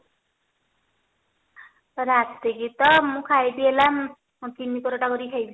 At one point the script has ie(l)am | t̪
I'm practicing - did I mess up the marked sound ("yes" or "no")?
no